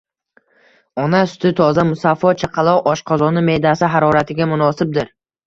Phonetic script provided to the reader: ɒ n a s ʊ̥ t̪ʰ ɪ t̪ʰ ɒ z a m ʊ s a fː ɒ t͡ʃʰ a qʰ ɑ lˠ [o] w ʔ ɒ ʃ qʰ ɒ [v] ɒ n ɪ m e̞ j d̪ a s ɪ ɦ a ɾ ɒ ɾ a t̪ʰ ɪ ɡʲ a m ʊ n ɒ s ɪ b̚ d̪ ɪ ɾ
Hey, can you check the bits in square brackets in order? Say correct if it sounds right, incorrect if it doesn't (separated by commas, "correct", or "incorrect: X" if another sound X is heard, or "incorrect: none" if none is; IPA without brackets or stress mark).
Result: incorrect: ɒ, incorrect: z